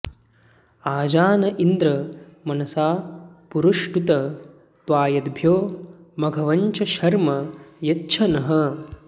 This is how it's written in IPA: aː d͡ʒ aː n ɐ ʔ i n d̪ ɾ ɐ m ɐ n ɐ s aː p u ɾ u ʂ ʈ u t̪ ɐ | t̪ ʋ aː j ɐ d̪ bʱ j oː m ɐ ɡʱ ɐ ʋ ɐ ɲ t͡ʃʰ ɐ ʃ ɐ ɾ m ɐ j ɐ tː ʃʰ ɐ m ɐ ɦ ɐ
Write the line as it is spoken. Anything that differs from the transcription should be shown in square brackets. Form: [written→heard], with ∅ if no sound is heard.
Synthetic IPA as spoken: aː d͡ʒ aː n ɐ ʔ i n d̪ ɾ ɐ m ɐ n ɐ s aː p u ɾ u ʂ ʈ u t̪ ɐ | t̪ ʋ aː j ɐ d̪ bʱ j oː m ɐ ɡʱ ɐ ʋ ɐ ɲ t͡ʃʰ ɐ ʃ ɐ ɾ m ɐ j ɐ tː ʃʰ ɐ [m→n] ɐ ɦ ɐ